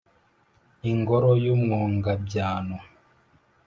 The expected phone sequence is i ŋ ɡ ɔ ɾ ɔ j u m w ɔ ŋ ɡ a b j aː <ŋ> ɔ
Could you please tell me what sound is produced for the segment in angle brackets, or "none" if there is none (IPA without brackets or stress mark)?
n